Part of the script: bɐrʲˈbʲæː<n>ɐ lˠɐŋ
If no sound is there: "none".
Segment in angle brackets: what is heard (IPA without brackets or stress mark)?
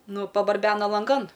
n